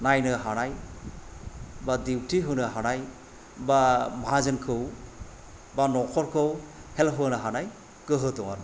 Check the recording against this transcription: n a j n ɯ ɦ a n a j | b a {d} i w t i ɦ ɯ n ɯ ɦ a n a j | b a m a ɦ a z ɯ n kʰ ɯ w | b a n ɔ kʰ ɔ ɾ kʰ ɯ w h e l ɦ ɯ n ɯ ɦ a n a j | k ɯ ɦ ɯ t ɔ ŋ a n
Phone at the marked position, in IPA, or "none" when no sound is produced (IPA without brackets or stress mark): d